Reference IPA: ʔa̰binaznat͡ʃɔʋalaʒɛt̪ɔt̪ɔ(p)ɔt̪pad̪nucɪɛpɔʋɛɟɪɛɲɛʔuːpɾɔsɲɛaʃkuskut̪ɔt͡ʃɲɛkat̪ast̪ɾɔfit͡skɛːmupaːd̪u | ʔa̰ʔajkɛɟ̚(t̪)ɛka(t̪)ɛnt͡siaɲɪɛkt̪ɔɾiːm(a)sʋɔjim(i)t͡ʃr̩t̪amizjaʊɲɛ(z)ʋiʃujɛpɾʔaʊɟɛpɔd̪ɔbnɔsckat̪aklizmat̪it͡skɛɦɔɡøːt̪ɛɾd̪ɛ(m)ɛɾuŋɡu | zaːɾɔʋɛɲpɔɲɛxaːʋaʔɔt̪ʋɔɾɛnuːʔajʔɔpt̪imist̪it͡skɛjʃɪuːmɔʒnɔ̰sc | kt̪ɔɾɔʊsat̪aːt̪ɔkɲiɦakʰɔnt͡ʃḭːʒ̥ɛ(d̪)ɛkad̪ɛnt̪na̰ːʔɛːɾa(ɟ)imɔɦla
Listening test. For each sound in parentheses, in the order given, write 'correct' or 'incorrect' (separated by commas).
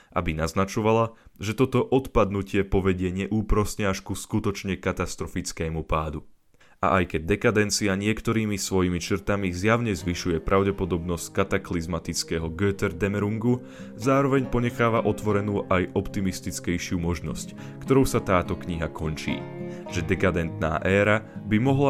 incorrect, incorrect, incorrect, incorrect, correct, correct, correct, correct, incorrect